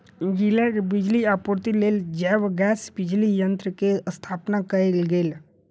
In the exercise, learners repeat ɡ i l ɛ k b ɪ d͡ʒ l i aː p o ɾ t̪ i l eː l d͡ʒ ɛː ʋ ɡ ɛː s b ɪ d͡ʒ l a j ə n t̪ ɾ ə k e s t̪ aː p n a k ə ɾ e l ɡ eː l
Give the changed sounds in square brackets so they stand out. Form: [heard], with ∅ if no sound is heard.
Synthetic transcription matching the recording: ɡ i l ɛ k b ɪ d͡ʒ l i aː p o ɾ t̪ i l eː l d͡ʒ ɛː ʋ ɡ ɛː s b ɪ d͡ʒ l [i] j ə n t̪ ɾ ə k e s [t̪ʰ] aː p n a k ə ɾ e l ɡ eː l